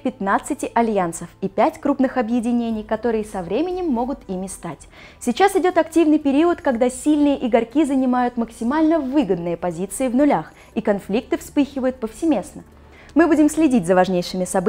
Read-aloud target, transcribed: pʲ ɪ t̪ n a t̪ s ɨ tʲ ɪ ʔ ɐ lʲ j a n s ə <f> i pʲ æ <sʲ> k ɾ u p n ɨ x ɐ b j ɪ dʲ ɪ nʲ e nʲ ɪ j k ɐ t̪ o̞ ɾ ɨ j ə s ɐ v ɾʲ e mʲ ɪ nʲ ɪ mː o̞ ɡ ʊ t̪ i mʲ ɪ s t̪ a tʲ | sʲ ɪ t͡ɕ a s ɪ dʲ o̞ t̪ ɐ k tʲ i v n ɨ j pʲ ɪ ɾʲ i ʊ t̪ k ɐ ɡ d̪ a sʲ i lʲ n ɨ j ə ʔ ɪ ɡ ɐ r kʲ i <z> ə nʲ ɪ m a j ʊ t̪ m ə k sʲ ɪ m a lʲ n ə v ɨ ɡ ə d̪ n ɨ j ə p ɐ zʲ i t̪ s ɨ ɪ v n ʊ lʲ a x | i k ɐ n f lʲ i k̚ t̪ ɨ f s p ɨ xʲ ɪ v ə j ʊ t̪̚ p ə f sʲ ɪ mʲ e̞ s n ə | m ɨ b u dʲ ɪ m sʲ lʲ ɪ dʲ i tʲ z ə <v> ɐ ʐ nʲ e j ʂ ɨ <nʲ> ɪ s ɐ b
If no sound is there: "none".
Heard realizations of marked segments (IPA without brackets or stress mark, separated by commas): f, tʲ, z, v, mʲ